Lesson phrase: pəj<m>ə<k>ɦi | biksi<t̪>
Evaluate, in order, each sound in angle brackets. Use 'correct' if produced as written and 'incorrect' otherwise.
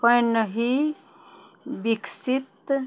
incorrect: n, incorrect: none, correct

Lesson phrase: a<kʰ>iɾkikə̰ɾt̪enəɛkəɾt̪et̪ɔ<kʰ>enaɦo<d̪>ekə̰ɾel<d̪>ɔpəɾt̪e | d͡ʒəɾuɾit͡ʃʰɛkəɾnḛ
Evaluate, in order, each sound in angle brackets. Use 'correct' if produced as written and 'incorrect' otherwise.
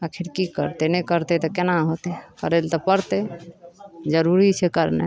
correct, incorrect: k, incorrect: t̪, incorrect: t̪

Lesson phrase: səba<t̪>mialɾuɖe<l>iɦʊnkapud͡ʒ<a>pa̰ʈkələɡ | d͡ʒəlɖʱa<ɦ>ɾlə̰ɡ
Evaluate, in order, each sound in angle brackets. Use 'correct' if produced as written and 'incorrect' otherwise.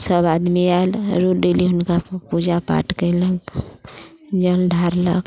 incorrect: d̪, correct, correct, incorrect: none

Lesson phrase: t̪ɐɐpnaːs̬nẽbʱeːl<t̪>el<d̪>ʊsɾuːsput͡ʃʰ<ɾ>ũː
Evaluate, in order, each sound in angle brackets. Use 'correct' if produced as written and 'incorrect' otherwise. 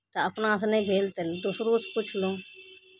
correct, correct, incorrect: l

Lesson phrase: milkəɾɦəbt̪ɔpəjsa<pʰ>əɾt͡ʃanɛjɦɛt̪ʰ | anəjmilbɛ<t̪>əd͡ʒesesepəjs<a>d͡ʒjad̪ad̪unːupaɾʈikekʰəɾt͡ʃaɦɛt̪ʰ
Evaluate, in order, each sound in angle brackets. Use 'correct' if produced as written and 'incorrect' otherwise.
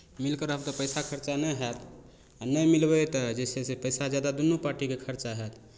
incorrect: kʰ, correct, correct

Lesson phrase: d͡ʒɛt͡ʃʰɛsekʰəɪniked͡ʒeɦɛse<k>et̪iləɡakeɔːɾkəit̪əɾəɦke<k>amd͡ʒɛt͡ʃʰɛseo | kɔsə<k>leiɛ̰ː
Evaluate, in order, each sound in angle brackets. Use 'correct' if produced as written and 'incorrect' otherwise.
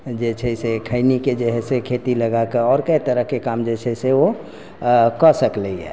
incorrect: kʰ, correct, correct

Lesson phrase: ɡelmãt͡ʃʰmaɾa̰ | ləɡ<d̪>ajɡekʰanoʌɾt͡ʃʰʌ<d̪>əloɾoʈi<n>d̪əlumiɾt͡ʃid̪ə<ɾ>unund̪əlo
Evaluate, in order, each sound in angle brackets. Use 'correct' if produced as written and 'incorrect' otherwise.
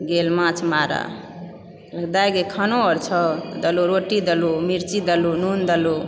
correct, correct, incorrect: none, incorrect: l

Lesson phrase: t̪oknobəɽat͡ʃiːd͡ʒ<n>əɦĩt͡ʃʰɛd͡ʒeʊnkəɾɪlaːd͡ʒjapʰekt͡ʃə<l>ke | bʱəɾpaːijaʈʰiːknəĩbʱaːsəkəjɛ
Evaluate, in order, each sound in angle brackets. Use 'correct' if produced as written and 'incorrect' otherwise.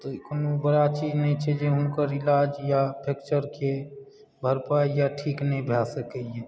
correct, incorrect: ɾ

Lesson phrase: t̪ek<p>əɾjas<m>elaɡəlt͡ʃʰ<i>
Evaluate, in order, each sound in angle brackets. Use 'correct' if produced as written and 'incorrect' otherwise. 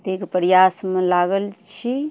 correct, correct, correct

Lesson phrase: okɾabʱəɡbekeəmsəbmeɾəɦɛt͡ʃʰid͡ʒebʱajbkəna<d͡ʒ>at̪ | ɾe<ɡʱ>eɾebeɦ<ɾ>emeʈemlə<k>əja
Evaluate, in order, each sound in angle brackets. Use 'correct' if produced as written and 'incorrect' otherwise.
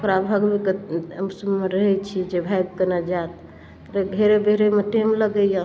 correct, correct, correct, incorrect: ɡ

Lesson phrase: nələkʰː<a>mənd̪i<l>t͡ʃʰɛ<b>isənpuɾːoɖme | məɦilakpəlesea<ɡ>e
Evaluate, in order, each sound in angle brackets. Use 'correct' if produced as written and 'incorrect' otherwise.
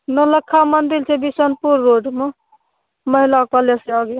correct, correct, correct, correct

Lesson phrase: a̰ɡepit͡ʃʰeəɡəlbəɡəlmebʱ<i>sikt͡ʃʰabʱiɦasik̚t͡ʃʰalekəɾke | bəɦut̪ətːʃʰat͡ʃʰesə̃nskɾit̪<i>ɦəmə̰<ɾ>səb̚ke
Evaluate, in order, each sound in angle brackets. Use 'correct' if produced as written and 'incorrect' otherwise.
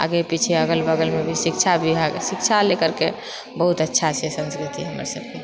correct, correct, correct

